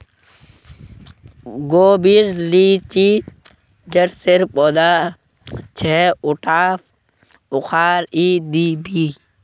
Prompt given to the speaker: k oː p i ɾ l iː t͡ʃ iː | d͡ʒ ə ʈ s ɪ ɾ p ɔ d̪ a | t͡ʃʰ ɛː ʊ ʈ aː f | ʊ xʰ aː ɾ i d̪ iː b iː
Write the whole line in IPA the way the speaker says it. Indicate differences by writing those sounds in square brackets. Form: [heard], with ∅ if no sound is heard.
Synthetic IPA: [ɡ] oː [b] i ɾ l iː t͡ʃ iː | d͡ʒ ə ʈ s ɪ ɾ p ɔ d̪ a | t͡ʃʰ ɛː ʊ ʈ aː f | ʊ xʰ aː ɾ i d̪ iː b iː